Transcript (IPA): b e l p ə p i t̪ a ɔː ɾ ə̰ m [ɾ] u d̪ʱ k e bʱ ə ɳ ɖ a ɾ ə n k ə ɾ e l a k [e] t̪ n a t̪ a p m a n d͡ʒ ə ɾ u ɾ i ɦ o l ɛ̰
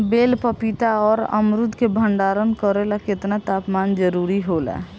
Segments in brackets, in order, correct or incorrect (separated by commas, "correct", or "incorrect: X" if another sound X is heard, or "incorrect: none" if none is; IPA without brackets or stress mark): correct, correct